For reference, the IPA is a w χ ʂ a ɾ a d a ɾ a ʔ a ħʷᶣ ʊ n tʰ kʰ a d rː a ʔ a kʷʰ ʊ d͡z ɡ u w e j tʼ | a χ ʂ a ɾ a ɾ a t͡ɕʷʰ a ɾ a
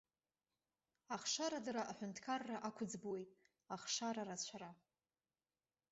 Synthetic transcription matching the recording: a χ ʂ a ɾ a d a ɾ a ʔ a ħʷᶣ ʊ n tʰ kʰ a rː a ʔ a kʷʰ ʊ d͡z b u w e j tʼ | a χ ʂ a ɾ a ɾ a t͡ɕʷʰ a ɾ a